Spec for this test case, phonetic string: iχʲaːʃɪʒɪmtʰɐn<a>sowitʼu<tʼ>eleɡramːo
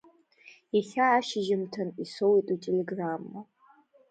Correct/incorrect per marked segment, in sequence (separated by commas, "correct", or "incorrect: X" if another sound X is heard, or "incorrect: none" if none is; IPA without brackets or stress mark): incorrect: i, correct